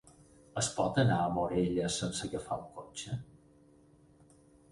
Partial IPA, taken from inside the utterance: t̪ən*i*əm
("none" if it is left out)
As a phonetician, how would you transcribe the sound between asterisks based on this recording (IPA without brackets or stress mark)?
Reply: a